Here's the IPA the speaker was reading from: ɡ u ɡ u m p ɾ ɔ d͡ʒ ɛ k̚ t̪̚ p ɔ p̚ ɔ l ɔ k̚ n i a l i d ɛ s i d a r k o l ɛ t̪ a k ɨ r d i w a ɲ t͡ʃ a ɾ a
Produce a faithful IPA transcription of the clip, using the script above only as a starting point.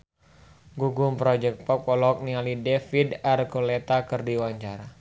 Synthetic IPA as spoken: ɡ u ɡ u m p ɾ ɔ d͡ʒ ɛ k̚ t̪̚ p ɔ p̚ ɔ l ɔ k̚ n i a l i d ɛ f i d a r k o l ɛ t̪ a k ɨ r d i w a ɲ t͡ʃ a ɾ a